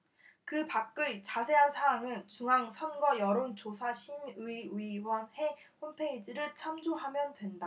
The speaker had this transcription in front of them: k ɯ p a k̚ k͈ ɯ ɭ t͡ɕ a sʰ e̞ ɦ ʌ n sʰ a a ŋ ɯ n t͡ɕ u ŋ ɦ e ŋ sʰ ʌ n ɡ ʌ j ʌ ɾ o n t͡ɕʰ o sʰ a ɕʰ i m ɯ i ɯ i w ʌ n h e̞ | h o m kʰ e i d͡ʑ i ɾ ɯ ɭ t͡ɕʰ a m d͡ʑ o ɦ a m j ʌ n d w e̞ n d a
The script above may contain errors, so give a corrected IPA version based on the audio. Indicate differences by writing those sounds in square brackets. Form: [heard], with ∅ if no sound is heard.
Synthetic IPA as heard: k ɯ p a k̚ k͈ ɯ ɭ t͡ɕ a sʰ e̞ ɦ [a] n sʰ a a ŋ ɯ n t͡ɕ u ŋ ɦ [a] ŋ sʰ ʌ n ɡ ʌ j ʌ ɾ o n [t͡ɕ] o sʰ a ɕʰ i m ɯ i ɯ i w ʌ n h e̞ | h o m [pʰ] e i d͡ʑ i ɾ ɯ ɭ t͡ɕʰ a m d͡ʑ o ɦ a m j ʌ n d w e̞ n d a